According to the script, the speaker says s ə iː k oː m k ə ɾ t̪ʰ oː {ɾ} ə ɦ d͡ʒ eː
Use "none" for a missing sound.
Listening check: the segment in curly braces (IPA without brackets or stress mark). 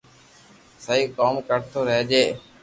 ɾ